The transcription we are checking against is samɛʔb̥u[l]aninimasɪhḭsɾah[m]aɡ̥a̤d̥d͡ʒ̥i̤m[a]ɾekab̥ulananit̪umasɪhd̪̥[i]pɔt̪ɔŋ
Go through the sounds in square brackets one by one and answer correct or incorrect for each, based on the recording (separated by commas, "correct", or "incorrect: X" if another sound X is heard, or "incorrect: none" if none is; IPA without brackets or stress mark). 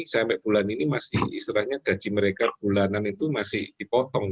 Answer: correct, incorrect: ɲ, incorrect: ə, correct